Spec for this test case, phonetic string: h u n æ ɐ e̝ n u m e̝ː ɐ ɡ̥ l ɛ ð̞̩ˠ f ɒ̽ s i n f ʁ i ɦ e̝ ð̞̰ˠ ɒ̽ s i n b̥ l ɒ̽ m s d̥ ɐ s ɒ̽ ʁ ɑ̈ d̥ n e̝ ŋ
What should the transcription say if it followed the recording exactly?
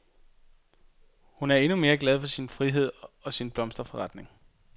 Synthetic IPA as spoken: h u n æ ɐ e̝ n u m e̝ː ɐ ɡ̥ l ɛ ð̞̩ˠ f ɒ̽ s i n f ʁ i ɦ e̝ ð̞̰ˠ ɒ̽ s i n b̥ l ɒ̽ m s d̥ ɐ f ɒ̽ ʁ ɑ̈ d̥ n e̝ ŋ